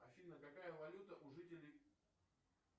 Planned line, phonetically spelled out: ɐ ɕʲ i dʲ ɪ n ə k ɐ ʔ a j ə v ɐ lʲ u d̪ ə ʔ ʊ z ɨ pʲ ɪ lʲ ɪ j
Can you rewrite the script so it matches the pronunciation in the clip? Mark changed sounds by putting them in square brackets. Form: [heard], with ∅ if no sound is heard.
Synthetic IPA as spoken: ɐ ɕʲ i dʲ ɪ n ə k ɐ [k] a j ə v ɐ lʲ u [t̪] ə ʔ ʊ [ʐ] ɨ [tʲ] ɪ lʲ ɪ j

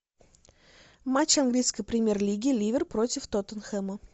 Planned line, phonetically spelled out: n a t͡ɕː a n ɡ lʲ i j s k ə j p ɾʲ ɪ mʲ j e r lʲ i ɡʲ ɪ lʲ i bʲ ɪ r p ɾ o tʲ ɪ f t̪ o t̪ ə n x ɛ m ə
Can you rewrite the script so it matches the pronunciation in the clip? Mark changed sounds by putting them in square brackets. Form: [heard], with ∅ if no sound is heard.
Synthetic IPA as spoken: [m] a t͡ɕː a n ɡ lʲ i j s k ə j p ɾʲ ɪ mʲ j e r lʲ i ɡʲ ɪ lʲ i [vʲ] ɪ r p ɾ o tʲ ɪ f t̪ o t̪ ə n x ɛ m ə

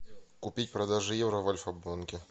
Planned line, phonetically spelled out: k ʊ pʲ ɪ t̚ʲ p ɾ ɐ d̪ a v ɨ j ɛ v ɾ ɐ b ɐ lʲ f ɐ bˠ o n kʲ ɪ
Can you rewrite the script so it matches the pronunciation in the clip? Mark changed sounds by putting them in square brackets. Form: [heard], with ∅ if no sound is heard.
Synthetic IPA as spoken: k ʊ pʲ [i] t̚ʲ p ɾ ɐ d̪ a [ʐ] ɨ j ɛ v ɾ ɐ [v] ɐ lʲ f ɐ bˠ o n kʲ ɪ

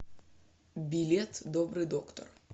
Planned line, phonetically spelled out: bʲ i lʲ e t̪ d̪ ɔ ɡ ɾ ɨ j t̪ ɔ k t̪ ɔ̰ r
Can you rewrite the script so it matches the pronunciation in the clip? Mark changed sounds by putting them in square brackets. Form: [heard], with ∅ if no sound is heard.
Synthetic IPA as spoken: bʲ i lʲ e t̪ d̪ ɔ [b] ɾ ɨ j [d̪] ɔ k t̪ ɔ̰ r

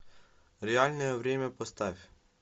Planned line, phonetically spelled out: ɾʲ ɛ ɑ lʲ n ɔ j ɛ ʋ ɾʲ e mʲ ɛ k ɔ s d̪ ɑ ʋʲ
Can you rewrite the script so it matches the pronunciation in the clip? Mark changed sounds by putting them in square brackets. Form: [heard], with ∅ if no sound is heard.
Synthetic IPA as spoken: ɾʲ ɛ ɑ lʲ n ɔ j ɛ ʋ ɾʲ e mʲ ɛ [p] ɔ s [t̪] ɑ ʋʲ

